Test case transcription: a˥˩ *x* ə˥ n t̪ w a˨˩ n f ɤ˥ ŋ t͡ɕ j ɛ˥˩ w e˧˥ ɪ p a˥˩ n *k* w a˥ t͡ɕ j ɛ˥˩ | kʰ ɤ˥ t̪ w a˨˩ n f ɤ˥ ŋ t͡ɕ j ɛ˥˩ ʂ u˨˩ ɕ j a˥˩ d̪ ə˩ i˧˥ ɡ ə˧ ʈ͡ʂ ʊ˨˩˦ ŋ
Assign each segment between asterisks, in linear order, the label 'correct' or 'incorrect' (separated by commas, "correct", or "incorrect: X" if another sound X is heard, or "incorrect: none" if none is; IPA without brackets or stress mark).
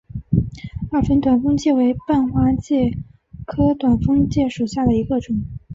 incorrect: f, incorrect: x